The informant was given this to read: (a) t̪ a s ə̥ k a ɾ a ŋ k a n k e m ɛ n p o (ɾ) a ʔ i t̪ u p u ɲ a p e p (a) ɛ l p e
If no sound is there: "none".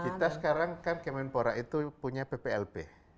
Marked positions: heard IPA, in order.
i, ɾ, e

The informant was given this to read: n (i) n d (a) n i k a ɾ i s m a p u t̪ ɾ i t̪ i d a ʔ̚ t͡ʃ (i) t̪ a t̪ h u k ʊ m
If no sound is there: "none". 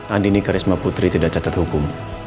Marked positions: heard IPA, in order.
a, i, a

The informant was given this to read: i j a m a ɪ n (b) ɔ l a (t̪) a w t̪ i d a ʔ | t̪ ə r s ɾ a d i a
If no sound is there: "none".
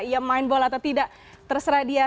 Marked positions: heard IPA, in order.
b, t̪

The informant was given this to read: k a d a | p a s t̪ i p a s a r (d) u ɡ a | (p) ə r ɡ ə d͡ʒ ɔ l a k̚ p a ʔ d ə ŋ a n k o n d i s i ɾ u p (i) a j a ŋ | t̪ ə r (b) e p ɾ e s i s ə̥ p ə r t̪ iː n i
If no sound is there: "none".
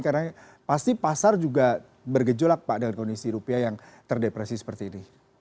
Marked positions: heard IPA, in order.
d͡ʒ, b, i, d

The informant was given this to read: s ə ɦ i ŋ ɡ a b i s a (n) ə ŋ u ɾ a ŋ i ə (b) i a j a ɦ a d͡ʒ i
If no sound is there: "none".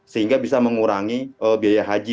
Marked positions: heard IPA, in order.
m, b

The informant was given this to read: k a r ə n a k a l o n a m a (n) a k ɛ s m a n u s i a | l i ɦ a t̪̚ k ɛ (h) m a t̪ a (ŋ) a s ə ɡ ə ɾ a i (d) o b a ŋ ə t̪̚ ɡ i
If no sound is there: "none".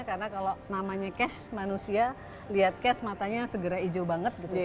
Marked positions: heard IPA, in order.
ɲ, s, ɲ, d͡ʒ

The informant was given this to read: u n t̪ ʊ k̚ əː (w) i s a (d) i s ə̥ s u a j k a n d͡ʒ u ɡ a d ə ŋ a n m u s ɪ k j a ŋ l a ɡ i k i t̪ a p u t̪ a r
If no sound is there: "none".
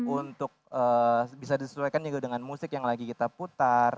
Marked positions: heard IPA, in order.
b, d

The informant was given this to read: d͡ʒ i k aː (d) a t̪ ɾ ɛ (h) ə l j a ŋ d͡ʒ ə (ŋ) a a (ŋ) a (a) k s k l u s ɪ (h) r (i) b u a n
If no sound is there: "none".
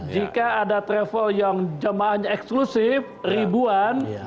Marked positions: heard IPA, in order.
d, f, m, ɲ, ɛ, f, i

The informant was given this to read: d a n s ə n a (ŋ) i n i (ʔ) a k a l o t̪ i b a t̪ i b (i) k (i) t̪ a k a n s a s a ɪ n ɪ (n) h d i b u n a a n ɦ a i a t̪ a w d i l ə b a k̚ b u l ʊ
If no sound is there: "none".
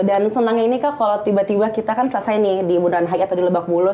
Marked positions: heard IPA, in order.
ŋ, k, a, i, none

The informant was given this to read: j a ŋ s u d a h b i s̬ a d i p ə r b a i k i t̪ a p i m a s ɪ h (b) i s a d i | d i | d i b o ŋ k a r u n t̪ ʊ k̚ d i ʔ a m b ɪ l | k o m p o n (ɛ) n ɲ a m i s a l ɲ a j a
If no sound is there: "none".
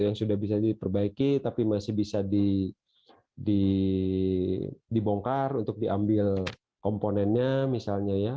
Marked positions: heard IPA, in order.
b, ɛ

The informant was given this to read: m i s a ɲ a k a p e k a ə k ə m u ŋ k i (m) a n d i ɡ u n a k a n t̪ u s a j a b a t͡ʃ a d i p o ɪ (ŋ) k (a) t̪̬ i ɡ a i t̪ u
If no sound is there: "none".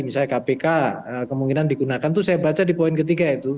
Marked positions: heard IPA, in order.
n, n, ə

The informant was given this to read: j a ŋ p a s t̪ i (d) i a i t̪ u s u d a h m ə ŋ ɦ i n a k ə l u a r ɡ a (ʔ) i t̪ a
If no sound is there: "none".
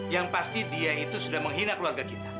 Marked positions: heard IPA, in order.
d, k

